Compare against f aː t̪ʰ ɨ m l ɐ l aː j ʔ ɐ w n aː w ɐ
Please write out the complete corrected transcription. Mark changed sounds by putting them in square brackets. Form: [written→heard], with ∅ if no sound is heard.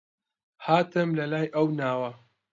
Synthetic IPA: [f→h] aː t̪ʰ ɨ m l ɐ l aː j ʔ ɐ w n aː w ɐ

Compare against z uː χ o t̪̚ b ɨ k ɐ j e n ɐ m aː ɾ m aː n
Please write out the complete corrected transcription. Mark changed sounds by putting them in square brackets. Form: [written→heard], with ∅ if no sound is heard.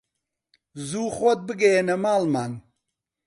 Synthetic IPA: z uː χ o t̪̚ b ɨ [k→ɡ] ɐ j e n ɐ m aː [ɾ→l] m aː n

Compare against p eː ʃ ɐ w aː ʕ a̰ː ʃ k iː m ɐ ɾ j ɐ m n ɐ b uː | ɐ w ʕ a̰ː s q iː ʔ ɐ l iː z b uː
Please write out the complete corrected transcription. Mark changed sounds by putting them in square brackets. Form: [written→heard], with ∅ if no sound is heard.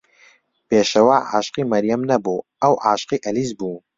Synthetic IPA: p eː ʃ ɐ w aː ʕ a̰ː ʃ [k→q] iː m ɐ ɾ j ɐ m n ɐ b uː | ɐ w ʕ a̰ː [s→ʃ] q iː ʔ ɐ l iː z b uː

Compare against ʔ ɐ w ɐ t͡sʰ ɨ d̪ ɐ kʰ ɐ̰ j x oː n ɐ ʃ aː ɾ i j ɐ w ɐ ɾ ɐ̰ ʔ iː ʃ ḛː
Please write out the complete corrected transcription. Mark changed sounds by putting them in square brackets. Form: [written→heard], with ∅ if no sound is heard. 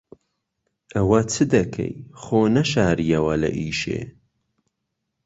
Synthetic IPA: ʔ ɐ w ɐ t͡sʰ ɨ d̪ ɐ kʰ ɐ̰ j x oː n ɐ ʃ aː ɾ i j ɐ w ɐ [ɾ→l] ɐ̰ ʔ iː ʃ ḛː

